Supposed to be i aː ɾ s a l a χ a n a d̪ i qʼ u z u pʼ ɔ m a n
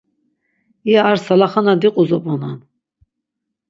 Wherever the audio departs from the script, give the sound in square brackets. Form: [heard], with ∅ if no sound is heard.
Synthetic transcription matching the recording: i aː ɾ s a l a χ a n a d̪ i qʼ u z [ɔ] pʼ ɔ [n] a n